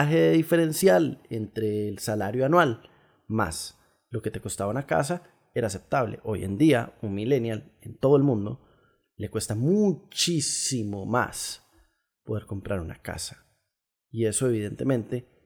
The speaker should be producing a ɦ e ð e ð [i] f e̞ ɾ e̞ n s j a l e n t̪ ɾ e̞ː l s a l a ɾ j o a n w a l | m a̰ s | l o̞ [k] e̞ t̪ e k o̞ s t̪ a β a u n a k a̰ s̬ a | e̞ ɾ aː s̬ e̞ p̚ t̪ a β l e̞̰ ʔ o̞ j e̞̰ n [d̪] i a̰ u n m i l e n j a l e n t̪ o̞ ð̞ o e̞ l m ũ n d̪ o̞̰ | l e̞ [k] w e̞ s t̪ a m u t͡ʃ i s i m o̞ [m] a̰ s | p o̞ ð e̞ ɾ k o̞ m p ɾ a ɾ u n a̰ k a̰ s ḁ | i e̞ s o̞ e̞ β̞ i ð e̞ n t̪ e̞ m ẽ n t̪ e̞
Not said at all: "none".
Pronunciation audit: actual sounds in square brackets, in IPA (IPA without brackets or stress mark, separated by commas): i, k, d̪, k, m